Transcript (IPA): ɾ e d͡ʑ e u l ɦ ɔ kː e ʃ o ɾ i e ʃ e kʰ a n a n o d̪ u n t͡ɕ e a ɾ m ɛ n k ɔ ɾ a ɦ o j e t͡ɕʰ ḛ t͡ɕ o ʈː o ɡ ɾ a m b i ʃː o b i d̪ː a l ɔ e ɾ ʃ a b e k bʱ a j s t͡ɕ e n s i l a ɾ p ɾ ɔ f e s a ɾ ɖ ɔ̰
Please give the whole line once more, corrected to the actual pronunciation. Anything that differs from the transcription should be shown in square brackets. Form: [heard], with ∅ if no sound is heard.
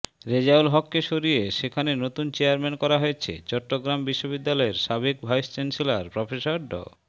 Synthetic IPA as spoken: ɾ e d͡ʑ [a] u l ɦ ɔ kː e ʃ o ɾ i e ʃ e kʰ a n [e] n o [t̪] u n t͡ɕ e a ɾ m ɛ n k ɔ ɾ a ɦ o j e t͡ɕʰ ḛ t͡ɕ [ɔ] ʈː o ɡ ɾ a m b i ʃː o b i d̪ː a l ɔ e ɾ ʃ a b e k bʱ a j s t͡ɕ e n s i l a ɾ p ɾ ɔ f e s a ɾ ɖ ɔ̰